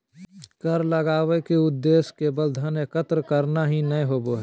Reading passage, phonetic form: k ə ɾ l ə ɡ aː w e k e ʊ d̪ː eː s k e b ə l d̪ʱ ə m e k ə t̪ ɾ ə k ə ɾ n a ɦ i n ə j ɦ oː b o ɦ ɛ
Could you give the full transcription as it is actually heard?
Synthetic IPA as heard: k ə ɾ l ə ɡ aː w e k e ʊ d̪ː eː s k e b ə l d̪ʱ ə n e k ə t̪ ɾ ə k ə ɾ n a ɦ i n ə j ɦ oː b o ɦ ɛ